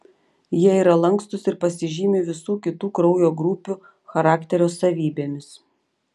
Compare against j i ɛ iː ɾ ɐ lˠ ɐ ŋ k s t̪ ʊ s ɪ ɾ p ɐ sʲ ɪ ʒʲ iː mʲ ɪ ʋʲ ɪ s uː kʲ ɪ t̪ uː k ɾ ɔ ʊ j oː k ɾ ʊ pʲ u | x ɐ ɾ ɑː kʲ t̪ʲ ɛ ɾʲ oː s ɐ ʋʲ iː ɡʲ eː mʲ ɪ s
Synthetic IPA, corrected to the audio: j i ɛ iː ɾ ɐ lˠ ɐ ŋ k s t̪ ʊ s ɪ ɾ p ɐ sʲ ɪ ʒʲ iː mʲ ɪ ʋʲ ɪ s uː kʲ ɪ t̪ uː k ɾ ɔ ʊ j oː ɡ ɾ ʊ pʲ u | x ɐ ɾ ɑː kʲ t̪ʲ ɛ ɾʲ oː s ɐ ʋʲ iː bʲ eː mʲ ɪ s